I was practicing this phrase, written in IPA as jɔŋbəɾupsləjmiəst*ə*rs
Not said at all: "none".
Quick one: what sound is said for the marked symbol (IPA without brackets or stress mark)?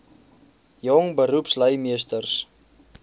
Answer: ə